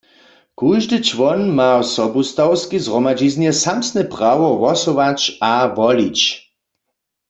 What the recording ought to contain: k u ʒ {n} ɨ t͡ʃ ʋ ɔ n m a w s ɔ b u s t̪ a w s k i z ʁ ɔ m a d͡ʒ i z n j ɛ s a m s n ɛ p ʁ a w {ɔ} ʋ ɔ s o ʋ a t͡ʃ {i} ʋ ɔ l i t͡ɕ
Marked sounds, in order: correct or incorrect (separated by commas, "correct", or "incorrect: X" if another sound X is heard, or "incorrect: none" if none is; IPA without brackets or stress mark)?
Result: incorrect: d, correct, incorrect: a